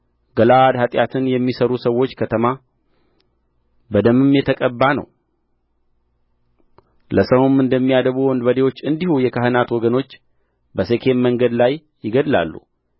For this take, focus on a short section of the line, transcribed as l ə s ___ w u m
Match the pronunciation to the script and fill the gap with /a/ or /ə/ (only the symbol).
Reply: ə